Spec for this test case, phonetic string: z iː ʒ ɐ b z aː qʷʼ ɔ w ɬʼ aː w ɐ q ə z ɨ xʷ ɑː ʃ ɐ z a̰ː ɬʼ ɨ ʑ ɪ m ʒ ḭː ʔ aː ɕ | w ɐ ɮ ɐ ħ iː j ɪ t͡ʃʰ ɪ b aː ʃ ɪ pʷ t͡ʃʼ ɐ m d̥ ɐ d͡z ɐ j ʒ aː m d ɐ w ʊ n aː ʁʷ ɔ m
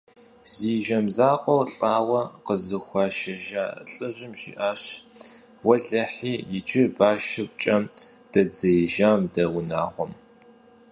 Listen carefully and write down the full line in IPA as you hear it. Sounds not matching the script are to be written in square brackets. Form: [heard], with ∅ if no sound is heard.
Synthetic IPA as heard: z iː ʒ ɐ [m] z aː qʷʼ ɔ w ɬʼ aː w ɐ q ə z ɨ xʷ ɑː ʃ ɐ [ʒ] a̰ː ɬʼ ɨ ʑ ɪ m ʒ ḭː ʔ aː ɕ | w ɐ ɮ ɐ ħ iː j ɪ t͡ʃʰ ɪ b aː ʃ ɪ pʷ t͡ʃʼ ɐ m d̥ ɐ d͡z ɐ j ʒ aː m d ɐ w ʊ n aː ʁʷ ɔ m